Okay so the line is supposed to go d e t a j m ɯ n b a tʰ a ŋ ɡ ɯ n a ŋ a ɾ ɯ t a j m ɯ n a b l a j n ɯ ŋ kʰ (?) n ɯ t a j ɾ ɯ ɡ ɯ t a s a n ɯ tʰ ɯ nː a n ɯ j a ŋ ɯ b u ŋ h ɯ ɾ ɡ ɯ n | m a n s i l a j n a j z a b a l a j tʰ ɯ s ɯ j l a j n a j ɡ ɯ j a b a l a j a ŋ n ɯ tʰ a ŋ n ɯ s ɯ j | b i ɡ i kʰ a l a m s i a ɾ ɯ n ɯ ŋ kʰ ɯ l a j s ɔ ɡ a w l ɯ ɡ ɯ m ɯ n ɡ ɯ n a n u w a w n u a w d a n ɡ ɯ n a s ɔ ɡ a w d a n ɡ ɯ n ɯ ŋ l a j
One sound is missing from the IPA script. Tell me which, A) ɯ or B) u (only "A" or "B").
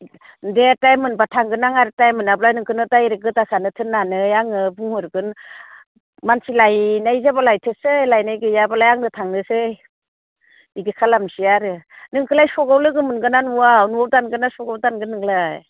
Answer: A